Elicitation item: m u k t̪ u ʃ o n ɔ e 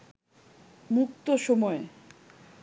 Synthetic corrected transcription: m u k t̪ o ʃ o m ɔ e